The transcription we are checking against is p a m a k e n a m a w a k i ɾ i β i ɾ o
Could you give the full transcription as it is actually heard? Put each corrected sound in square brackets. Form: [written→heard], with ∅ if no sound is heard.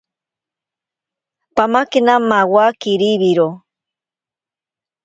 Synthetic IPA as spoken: p a m a k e n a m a w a k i ɾ i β i ɾ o